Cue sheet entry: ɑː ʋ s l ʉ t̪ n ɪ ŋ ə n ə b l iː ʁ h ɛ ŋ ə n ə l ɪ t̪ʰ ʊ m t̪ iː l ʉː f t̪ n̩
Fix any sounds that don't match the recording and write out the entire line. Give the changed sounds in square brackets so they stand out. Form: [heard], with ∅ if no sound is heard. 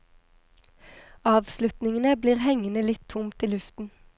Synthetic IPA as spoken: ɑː ʋ s l ʉ t̪ n ɪ ŋ ə n ə b l iː ʁ h ɛ ŋ ə n ə l ɪ t̪ʰ ʊ m t̪ iː l [ʉ] f t̪ n̩